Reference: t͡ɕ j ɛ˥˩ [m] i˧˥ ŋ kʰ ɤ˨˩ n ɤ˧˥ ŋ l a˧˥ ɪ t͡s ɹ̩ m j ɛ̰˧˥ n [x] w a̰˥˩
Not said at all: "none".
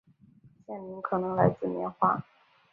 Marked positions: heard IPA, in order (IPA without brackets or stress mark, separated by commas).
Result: n, x